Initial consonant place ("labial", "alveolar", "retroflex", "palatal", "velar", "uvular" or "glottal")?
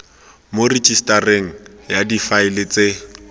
labial